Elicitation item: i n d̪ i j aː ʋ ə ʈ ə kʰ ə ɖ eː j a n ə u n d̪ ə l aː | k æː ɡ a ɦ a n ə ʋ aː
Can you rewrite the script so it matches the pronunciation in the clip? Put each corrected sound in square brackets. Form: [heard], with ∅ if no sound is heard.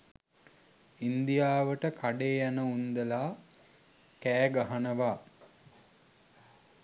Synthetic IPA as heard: i n d̪ i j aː ʋ ə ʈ ə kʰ [a] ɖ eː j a n ə u n d̪ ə l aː | k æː ɡ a ɦ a n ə ʋ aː